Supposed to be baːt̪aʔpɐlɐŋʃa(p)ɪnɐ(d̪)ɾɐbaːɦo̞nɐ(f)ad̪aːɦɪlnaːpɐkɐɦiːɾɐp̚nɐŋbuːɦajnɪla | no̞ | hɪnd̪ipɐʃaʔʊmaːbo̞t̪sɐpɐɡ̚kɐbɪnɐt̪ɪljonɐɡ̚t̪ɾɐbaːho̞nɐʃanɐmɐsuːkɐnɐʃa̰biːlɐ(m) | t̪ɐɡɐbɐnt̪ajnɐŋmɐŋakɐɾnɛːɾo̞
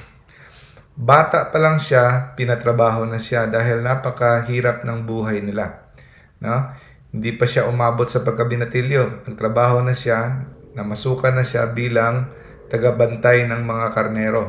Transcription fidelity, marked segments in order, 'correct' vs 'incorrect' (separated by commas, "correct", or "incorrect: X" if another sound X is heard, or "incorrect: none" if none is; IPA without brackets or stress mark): correct, incorrect: t̪, incorrect: ʃ, incorrect: ŋ